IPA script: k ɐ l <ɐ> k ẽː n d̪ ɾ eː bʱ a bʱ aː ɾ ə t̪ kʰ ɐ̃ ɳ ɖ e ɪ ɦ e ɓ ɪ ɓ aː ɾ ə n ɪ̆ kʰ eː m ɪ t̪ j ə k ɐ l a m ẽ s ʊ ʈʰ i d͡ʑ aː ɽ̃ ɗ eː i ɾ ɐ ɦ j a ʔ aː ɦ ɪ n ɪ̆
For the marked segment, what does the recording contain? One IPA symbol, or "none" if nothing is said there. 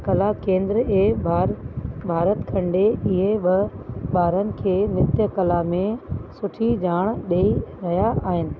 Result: a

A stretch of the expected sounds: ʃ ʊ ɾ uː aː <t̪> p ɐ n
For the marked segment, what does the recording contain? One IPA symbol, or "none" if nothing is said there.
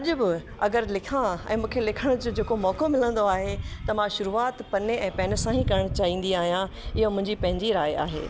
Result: t̪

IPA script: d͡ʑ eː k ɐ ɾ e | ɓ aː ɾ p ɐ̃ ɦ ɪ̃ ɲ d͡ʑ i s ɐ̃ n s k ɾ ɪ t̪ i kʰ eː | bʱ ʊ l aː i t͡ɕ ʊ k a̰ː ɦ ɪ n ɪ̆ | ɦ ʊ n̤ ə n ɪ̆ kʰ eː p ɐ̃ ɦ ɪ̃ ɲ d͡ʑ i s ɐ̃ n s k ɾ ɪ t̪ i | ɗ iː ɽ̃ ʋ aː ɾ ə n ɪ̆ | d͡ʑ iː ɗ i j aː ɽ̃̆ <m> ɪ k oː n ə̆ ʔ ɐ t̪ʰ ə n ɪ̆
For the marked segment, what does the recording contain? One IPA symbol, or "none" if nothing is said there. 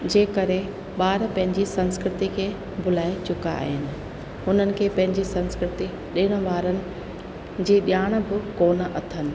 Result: b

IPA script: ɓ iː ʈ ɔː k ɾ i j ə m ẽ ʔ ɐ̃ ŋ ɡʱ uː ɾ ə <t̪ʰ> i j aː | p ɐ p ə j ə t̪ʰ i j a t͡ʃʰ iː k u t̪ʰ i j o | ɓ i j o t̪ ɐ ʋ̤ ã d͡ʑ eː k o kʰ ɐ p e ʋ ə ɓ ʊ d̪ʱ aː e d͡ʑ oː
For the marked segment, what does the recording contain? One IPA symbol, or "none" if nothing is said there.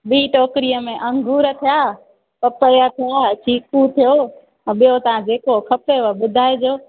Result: t̪ʰ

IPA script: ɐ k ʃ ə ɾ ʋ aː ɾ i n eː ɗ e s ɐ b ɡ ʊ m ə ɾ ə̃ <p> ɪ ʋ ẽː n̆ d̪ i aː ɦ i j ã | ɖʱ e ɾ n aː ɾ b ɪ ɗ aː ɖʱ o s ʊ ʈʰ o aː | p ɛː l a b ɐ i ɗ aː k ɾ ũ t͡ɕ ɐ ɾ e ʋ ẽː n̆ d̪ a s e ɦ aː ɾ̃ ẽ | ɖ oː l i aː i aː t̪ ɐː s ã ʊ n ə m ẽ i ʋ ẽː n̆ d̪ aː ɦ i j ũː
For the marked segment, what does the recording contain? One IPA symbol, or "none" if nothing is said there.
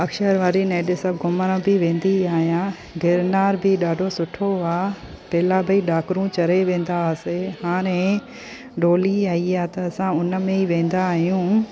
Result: b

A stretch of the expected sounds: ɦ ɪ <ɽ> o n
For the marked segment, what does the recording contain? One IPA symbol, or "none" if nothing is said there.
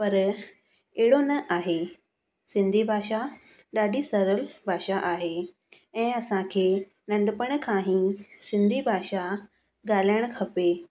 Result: ɽ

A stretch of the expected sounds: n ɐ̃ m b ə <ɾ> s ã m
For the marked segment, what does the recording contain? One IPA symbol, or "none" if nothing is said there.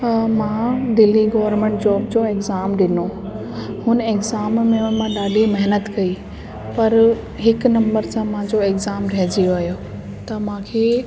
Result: ɾ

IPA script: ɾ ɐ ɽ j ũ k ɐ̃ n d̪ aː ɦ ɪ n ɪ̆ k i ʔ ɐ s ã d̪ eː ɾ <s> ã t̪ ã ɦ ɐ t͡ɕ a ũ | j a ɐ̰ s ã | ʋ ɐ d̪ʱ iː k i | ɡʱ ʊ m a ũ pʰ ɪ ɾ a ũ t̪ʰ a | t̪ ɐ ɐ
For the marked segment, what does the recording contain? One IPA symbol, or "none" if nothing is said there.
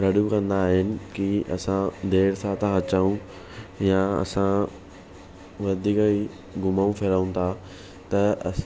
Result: s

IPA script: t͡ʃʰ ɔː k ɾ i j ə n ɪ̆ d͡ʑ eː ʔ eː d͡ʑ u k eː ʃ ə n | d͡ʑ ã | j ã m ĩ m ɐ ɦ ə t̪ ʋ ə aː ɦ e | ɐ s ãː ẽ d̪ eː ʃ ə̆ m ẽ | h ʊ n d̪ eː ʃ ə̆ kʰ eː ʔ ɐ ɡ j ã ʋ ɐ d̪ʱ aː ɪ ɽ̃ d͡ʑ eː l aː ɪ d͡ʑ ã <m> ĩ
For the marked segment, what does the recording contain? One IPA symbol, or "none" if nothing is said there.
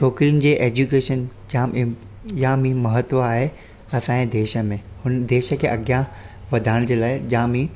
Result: m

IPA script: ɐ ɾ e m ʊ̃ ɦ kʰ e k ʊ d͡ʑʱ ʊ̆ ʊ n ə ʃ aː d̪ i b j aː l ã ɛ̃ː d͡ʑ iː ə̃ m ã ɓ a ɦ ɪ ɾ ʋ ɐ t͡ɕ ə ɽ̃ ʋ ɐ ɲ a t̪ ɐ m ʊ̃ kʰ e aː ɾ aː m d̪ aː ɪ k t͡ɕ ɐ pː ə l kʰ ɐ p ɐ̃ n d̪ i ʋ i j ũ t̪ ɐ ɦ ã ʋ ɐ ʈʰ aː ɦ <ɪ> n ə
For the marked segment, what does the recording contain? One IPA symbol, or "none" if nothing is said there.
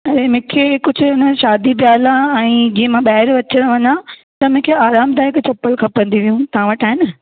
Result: ɪ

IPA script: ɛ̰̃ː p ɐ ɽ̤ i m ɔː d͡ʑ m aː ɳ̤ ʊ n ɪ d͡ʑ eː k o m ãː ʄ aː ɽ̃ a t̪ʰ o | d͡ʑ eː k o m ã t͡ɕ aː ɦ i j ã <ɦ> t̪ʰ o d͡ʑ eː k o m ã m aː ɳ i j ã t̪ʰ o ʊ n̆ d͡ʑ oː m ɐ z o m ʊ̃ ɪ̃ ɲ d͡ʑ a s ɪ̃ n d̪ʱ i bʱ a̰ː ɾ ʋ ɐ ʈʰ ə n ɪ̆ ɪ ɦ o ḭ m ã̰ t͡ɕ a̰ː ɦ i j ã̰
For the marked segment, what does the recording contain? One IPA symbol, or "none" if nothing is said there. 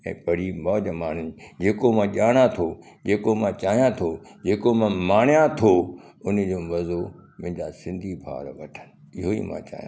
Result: none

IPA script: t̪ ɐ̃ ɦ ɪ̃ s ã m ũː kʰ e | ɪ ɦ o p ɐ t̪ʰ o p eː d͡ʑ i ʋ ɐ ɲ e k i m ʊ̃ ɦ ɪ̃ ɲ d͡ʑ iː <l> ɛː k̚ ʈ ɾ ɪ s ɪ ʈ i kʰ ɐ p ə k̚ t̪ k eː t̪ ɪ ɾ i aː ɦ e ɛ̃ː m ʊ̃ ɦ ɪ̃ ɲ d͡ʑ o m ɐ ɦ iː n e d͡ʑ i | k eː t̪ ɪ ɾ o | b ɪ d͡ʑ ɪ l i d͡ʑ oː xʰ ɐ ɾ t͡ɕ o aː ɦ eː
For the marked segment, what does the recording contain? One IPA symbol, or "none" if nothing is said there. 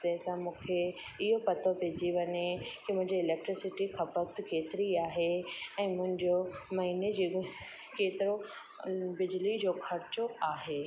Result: l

